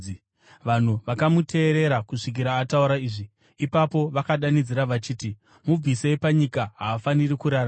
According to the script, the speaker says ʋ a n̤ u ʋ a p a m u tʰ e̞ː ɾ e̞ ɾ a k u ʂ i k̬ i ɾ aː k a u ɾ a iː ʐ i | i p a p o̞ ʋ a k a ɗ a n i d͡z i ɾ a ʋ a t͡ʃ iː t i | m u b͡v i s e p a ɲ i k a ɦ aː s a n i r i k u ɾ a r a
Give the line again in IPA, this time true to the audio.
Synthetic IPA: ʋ a n̤ u ʋ a k a m u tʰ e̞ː ɾ e̞ ɾ a k u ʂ i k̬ i ɾ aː t a u ɾ a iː ʐ i | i p a p o̞ ʋ a k a ɗ a n i d͡z i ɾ a ʋ a t͡ʃ iː t i | m u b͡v i s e p a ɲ i k a ɦ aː f a n i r i k u ɾ a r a